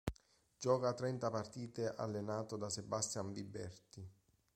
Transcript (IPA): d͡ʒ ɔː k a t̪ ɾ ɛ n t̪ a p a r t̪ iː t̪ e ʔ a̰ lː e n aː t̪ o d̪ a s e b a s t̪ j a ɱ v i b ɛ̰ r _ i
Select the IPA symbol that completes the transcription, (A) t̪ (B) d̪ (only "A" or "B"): A